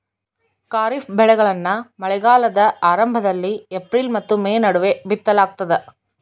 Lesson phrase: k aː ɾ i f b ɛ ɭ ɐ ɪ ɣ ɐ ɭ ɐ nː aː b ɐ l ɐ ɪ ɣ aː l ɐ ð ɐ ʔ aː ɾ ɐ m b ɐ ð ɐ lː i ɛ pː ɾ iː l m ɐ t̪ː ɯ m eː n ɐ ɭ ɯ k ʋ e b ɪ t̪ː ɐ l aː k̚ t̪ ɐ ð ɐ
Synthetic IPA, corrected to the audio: k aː ɾ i f b ɛ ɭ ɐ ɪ ɣ ɐ ɭ ɐ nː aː m ɐ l ɐ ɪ ɣ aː l ɐ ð ɐ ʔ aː ɾ ɐ m b ɐ ð ɐ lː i ɛ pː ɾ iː l m ɐ t̪ː ɯ m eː n ɐ ɽ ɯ ʋ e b ɪ t̪ː ɐ l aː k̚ t̪ ɐ ð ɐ